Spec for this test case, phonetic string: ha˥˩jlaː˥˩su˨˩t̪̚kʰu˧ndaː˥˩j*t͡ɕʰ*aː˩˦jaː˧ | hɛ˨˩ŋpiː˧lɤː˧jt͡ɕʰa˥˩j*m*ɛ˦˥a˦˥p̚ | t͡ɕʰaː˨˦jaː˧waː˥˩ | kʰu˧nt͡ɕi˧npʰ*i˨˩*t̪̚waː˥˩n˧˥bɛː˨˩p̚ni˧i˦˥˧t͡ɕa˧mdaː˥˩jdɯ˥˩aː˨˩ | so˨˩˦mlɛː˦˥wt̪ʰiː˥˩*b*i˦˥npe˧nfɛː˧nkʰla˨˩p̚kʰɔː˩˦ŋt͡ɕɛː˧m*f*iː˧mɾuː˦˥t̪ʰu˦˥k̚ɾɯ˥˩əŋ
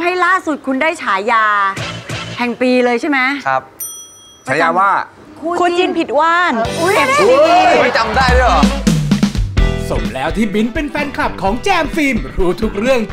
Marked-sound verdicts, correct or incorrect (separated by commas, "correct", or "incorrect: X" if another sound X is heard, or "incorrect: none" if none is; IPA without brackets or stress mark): correct, correct, correct, correct, correct